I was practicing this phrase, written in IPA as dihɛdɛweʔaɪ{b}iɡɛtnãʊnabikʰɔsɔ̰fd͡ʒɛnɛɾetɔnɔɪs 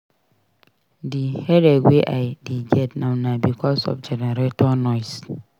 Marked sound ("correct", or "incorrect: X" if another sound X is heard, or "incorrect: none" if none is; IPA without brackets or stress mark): incorrect: d